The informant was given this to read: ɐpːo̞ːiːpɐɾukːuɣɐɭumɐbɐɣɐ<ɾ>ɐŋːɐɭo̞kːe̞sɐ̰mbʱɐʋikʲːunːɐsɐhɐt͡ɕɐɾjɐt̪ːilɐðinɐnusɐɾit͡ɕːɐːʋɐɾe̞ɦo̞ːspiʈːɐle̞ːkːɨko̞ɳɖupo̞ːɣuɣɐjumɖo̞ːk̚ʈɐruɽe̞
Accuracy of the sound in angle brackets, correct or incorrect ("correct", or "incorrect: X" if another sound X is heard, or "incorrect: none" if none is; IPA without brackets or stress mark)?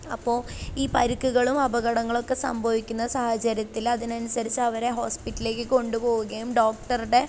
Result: incorrect: ɽ